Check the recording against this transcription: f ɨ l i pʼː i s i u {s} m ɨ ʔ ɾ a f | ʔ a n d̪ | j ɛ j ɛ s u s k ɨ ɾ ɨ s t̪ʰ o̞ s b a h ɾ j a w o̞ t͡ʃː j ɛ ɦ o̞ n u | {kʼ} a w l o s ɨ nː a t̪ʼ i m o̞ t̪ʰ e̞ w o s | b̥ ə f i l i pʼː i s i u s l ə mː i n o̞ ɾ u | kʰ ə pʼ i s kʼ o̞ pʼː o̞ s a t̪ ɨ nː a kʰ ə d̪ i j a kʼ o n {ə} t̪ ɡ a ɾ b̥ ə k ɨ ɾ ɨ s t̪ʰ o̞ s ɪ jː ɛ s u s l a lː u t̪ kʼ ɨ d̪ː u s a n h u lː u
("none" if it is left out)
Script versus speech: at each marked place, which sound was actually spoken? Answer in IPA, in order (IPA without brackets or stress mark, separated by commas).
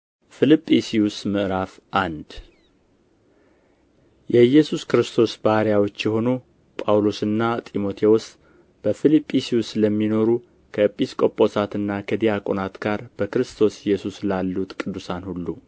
s, pʼ, a